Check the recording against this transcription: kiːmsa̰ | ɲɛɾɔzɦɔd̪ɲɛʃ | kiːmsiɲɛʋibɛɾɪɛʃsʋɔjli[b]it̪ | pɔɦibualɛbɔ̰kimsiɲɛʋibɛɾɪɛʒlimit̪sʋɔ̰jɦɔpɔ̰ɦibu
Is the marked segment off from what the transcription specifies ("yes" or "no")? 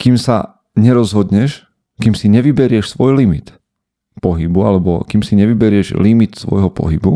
yes